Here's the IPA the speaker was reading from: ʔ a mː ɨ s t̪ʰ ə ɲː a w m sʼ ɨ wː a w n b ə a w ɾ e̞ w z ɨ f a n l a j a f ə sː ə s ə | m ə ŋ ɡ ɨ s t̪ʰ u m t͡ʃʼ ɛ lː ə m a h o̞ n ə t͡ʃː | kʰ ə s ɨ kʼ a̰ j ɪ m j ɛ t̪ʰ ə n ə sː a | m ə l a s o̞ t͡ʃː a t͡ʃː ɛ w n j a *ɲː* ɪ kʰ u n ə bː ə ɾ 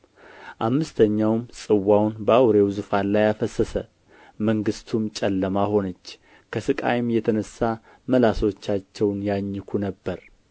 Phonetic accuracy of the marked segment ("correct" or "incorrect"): correct